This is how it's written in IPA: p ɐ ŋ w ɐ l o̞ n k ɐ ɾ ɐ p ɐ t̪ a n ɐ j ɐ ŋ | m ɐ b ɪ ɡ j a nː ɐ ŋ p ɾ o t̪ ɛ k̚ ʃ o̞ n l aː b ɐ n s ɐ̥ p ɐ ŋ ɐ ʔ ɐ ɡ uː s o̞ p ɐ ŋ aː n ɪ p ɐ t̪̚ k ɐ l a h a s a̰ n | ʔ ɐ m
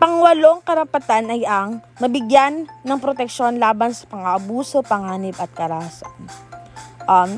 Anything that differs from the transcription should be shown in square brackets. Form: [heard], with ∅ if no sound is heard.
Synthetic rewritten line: p ɐ ŋ w ɐ l o̞ [ŋ] k ɐ ɾ ɐ p ɐ t̪ a n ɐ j ɐ ŋ | m ɐ b ɪ ɡ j a nː ɐ ŋ p ɾ o t̪ ɛ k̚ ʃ o̞ n l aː b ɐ n s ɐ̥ p ɐ ŋ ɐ ʔ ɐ [b] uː s o̞ p ɐ ŋ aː n ɪ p ɐ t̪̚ k ɐ [ɾ] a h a s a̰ n | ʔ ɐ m